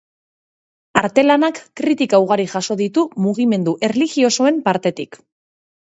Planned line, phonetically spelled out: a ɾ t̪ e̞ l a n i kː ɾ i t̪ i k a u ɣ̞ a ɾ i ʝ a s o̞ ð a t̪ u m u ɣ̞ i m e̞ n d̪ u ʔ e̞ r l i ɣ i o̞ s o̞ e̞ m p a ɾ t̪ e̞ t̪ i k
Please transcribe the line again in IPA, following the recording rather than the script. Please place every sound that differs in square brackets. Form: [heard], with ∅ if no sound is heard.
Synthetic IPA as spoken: a ɾ t̪ e̞ l a n [a] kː ɾ i t̪ i k a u ɣ̞ a ɾ i ʝ a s o̞ ð [i] t̪ u m u ɣ̞ i m e̞ n d̪ u ʔ e̞ r l i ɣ i o̞ s o̞ e̞ m p a ɾ t̪ e̞ t̪ i k